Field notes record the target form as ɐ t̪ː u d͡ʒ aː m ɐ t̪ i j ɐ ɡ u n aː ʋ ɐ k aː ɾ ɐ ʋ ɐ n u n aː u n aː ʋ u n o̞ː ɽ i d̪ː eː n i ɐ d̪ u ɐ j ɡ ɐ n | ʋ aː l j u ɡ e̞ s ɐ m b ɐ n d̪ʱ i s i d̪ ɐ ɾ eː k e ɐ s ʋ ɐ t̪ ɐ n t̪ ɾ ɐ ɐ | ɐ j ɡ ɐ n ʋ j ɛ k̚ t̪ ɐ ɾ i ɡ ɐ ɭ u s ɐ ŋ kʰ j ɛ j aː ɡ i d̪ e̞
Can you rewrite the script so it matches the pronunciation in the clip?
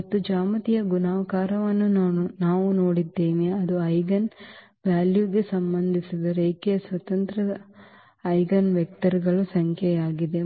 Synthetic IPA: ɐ t̪ː u d͡ʒ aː m ɐ t̪ i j ɐ ɡ u n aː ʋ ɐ k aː ɾ ɐ ʋ ɐ nː u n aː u n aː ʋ u n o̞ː ɽ i d̪ː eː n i ɐ d̪ u ɐ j ɡ ɐ n | ʋ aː l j u ɡ e̞ s ɐ m b ɐ n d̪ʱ i s i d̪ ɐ ɾ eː k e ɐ s ʋ ɐ t̪ ɐ n t̪ ɾ ɐ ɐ | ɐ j ɡ ɐ n ʋ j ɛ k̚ t̪ ɐ ɾ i ɡ ɐ ɭ u s ɐ ŋ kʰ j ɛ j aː ɡ i d̪ e̞